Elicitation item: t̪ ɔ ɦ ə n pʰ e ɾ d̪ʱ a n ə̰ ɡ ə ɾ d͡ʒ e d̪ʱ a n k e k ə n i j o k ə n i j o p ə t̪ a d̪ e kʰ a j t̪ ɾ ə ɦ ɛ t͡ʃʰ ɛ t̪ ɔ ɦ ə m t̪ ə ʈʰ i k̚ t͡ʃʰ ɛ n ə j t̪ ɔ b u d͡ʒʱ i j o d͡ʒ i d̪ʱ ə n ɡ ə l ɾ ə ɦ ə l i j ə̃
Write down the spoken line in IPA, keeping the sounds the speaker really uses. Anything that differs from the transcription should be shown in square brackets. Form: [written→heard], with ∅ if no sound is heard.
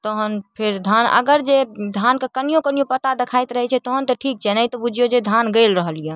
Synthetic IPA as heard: t̪ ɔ ɦ ə n pʰ e ɾ d̪ʱ a n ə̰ ɡ ə ɾ d͡ʒ e d̪ʱ a n k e k ə n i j o k ə n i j o p ə t̪ a d̪ e kʰ a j t̪ ɾ ə ɦ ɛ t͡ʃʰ ɛ t̪ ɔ ɦ ə [m→n] t̪ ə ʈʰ i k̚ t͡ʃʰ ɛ n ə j t̪ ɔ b u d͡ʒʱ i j o d͡ʒ [i→e] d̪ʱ [ə→a] n ɡ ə l ɾ ə ɦ ə l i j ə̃